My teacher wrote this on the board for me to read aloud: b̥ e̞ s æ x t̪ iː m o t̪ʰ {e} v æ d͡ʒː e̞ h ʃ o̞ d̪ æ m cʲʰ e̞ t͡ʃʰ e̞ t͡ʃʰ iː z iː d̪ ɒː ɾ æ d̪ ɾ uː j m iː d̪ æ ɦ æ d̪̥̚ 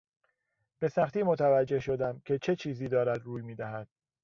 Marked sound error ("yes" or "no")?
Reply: yes